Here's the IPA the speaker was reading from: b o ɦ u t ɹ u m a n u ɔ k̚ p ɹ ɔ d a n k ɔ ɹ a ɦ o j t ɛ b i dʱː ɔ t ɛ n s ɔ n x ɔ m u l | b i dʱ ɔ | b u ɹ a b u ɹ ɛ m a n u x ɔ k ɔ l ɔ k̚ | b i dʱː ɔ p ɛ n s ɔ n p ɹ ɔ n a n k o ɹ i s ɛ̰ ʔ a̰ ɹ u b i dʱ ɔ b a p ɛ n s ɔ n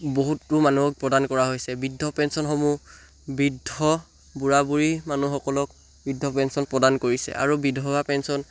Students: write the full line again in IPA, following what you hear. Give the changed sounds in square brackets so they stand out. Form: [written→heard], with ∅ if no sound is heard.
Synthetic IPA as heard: b o ɦ u t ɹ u m a n u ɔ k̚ p ɹ ɔ d a n k ɔ ɹ a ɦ o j [t→s] ɛ b i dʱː ɔ [t→p] ɛ n s ɔ n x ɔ m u [l→∅] | b i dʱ ɔ | b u ɹ a b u ɹ [ɛ→i] m a n u x ɔ k ɔ l ɔ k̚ | b i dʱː ɔ p ɛ n s ɔ n p ɹ ɔ [n→d] a n k o ɹ i s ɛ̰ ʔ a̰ ɹ u b i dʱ ɔ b a p ɛ n s ɔ n

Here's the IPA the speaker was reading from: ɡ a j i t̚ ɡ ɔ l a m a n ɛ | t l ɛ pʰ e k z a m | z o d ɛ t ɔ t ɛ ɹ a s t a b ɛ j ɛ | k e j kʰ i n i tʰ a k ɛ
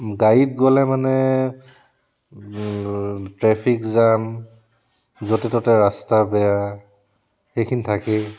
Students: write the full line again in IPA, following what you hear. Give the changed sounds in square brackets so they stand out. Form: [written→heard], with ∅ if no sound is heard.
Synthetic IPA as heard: ɡ a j i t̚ ɡ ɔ l [a→ɛ] m a n ɛ | t [l→ɹ] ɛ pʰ [e→i] k z a m | z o [d→t] ɛ t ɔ t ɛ ɹ a s t a b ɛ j [ɛ→a] | [k→x] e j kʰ i n i tʰ a k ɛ

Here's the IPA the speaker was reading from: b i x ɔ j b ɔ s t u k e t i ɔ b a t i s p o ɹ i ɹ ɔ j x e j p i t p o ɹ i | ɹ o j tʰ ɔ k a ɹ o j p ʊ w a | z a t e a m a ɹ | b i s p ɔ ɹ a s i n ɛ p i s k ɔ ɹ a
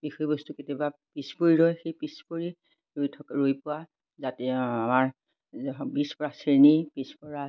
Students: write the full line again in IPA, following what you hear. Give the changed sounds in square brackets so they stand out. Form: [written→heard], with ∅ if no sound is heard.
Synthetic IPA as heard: b i x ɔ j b ɔ s t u k e t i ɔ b a [t→p] i s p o ɹ i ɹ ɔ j x e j p i [t→s] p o ɹ i | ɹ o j tʰ ɔ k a ɹ o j p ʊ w a | z a t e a m a ɹ | b i s p ɔ ɹ a s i n [ɛ→i] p i s [k→p] ɔ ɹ a

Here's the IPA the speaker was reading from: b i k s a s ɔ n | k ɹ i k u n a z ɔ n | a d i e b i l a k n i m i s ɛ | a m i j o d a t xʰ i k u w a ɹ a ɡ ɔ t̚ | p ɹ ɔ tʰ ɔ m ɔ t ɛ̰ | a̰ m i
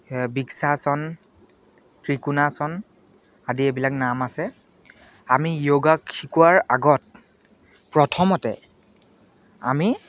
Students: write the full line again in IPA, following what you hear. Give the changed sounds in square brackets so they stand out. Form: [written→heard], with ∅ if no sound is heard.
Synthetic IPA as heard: b i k s a s ɔ n | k ɹ i k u n a [z→s] ɔ n | a d i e b i l a k n [i→a] m [i→a] s ɛ | a m i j o [d→ɡ] a [t→k] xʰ i k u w a ɹ a ɡ ɔ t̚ | p ɹ ɔ tʰ ɔ m ɔ t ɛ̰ | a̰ m i

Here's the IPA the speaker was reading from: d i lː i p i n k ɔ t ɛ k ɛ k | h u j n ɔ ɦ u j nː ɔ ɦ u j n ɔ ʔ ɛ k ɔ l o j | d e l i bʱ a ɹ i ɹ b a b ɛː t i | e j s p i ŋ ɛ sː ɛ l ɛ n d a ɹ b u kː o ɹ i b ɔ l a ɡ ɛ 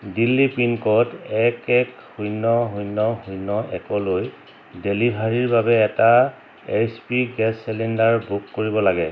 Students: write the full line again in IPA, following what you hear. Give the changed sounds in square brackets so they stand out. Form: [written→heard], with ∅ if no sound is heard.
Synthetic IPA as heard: d i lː i p i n k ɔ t ɛ k ɛ k | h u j n ɔ ɦ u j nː ɔ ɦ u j n ɔ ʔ ɛ k ɔ l o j | d e l i bʱ a ɹ i ɹ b a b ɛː t [i→a] | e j s p i [ŋ→ɡ] ɛ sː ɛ l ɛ n d a ɹ b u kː o ɹ i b ɔ l a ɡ ɛ

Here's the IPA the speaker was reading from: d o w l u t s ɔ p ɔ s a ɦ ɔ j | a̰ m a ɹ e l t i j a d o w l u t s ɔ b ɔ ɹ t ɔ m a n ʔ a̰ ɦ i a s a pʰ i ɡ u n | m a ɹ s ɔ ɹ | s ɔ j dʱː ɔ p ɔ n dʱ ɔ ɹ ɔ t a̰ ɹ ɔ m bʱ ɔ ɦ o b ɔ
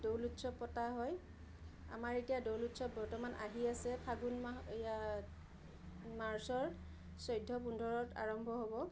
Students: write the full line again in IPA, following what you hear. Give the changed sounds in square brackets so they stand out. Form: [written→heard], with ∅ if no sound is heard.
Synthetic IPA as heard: d o w l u t s ɔ p ɔ [s→t] a ɦ ɔ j | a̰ m a ɹ e [l→∅] t i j a d o w l u t s ɔ b ɔ ɹ t ɔ m a n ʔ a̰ ɦ i a s [a→ɛ] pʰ [i→a] ɡ u n | m a ɹ s ɔ ɹ | s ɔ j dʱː ɔ p [ɔ→u] n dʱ ɔ ɹ ɔ t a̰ ɹ ɔ m bʱ ɔ ɦ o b ɔ

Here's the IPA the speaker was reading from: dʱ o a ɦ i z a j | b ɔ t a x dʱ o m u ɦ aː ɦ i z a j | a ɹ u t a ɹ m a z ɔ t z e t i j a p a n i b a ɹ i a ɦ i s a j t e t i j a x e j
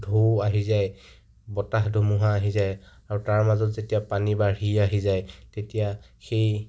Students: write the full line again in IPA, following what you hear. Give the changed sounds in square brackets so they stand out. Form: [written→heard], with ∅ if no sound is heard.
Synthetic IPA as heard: dʱ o a ɦ i z a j | b ɔ t a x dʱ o m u ɦ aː ɦ i z a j | a ɹ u t a ɹ m a z ɔ t z e t i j a p a n i b a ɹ i a ɦ i [s→z] a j t e t i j a x e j

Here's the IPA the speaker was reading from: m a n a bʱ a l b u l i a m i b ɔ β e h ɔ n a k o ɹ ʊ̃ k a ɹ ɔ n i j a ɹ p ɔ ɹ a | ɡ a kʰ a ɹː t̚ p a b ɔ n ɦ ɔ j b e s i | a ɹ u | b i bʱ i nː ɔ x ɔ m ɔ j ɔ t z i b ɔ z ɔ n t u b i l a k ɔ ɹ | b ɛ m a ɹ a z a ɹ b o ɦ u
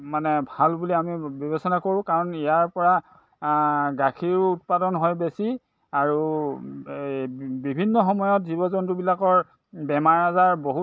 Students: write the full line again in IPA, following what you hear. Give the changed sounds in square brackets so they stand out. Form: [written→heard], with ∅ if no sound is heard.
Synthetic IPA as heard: m a n [a→ɛ] bʱ a l b u l i a m i b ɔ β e [h→s] ɔ n a k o ɹ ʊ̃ k a ɹ ɔ n i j a ɹ p ɔ ɹ a | ɡ a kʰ [a→i] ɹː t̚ p a [b→d] ɔ n ɦ ɔ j b e s i | a ɹ u | b i bʱ i nː ɔ x ɔ m ɔ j ɔ t z i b ɔ z ɔ n t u b i l a k ɔ ɹ | b ɛ m a ɹ a z a ɹ b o ɦ u

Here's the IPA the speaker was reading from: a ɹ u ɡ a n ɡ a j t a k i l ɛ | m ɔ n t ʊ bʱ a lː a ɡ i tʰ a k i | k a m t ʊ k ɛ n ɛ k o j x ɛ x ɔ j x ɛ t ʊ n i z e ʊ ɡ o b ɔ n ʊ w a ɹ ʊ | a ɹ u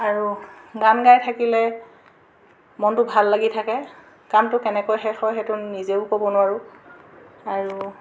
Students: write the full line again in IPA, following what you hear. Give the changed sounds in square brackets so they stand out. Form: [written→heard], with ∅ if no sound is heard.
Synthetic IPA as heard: a ɹ u ɡ a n ɡ a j [t→tʰ] a k i l ɛ | m ɔ n t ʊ bʱ a lː a ɡ i tʰ a k [i→ɛ] | k a m t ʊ k ɛ n ɛ k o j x ɛ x ɔ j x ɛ t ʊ n i z e ʊ [ɡ→k] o b ɔ n ʊ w a ɹ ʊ | a ɹ u

